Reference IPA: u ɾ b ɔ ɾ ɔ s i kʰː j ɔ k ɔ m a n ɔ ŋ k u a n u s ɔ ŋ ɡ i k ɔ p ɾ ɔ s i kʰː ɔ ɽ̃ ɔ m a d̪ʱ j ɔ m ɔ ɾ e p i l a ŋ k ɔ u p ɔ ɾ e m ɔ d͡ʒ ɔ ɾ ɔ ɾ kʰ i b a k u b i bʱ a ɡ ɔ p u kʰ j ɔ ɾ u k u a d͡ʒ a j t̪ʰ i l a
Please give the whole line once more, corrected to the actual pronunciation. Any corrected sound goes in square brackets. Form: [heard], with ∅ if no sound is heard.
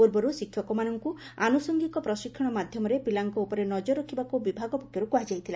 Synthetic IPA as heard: u ɾ b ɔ ɾ [u] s i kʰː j ɔ k ɔ m a n ɔ ŋ k u a n u s ɔ ŋ ɡ i k ɔ p ɾ ɔ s i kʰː ɔ ɽ̃ ɔ m a d̪ʱ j ɔ m ɔ ɾ e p i l a ŋ k ɔ u p ɔ ɾ e [n] ɔ d͡ʒ ɔ ɾ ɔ [∅] kʰ i b a k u b i bʱ a ɡ ɔ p [ɔ] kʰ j ɔ ɾ u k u a d͡ʒ a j t̪ʰ i l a